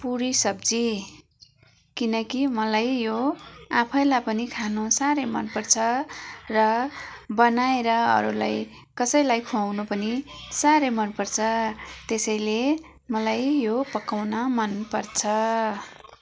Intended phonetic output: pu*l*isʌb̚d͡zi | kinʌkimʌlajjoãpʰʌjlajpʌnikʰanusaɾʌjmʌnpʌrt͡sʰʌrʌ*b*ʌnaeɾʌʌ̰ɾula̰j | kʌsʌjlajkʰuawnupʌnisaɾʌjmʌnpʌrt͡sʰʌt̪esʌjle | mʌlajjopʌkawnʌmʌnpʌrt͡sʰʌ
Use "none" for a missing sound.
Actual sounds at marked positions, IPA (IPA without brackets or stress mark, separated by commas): ɾ, b